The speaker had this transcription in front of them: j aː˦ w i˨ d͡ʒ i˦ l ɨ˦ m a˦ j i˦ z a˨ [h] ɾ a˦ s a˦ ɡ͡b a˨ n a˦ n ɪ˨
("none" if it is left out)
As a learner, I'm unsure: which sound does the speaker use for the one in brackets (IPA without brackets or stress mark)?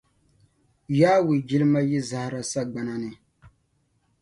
h